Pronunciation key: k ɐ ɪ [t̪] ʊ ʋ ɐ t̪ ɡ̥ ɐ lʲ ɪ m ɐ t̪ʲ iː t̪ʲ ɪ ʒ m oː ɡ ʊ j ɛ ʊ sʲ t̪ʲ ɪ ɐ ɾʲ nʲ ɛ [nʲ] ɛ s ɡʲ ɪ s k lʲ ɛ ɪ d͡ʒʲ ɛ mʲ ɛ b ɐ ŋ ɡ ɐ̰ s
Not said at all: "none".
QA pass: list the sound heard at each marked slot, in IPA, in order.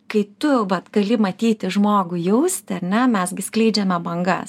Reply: t̪, mʲ

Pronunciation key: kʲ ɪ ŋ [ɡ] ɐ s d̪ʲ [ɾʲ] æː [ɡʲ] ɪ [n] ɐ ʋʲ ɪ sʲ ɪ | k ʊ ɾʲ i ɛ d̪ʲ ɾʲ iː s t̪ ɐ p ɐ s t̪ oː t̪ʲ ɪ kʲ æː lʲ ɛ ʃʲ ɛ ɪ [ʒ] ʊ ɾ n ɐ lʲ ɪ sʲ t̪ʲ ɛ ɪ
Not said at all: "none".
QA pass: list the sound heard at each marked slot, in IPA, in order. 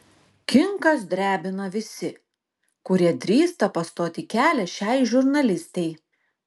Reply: k, ɾʲ, bʲ, n, ʒ

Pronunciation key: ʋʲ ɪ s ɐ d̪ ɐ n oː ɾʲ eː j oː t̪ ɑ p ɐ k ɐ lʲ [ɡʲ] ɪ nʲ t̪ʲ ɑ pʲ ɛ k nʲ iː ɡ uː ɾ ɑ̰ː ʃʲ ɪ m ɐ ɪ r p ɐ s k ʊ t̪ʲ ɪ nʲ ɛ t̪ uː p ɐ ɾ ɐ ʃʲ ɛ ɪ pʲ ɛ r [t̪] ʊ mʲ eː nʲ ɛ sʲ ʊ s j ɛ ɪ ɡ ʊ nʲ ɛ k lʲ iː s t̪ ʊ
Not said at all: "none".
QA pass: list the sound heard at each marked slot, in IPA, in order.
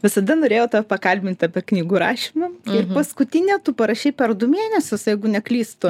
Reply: bʲ, d̪

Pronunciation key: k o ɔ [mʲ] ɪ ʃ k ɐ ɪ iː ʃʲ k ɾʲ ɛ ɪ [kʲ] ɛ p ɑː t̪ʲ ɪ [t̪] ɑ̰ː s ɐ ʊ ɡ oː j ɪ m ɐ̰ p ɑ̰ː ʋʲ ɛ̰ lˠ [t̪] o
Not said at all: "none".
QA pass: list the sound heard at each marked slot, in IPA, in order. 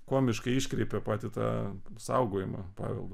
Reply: mʲ, pʲ, t̪, d̪

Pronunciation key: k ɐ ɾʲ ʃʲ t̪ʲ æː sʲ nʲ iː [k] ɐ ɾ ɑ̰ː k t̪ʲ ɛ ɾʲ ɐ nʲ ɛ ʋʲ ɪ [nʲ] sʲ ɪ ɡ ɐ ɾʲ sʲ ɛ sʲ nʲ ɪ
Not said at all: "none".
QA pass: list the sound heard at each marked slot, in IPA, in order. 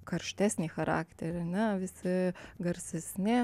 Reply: x, none

